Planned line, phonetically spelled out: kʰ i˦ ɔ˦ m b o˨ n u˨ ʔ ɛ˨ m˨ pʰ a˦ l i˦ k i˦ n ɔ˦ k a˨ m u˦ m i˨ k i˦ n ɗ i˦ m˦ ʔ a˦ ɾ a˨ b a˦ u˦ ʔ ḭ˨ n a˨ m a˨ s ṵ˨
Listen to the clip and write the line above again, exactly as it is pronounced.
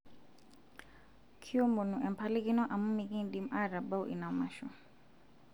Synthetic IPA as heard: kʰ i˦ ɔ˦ m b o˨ n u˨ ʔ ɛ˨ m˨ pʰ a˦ l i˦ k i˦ n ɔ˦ ʔ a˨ m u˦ m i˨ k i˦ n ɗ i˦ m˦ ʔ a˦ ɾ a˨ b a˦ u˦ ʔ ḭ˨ n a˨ m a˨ ʃ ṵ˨